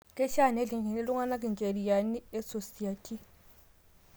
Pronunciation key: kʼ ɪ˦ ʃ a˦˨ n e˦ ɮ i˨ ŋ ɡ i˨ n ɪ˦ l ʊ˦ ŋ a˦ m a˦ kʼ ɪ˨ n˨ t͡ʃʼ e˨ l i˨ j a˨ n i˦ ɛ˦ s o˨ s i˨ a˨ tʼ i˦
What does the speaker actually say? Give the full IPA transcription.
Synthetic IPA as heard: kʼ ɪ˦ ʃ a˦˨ n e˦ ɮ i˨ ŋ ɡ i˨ n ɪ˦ l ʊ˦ ŋ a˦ n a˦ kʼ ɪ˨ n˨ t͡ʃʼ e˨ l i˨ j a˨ n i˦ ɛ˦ s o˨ s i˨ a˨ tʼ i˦